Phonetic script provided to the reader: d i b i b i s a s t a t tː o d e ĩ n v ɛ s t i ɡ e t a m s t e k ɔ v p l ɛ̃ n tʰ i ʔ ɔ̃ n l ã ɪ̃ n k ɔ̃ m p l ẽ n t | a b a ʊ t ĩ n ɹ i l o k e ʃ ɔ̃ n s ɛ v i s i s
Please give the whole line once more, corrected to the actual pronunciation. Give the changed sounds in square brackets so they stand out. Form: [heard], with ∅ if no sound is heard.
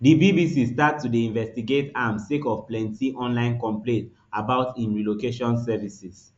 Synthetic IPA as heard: d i b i b i s [i] s t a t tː [u] d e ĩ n v ɛ s t i ɡ e t a m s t e k ɔ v p l ɛ̃ n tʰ i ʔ ɔ̃ n l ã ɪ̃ n k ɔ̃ m p l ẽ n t | a b a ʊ t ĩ n ɹ i l o k e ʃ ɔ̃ n s ɛ v i s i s